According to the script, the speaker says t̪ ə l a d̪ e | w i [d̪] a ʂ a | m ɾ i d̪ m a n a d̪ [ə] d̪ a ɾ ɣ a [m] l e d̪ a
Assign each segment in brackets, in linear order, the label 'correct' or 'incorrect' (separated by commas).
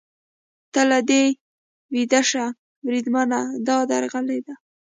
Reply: correct, incorrect, incorrect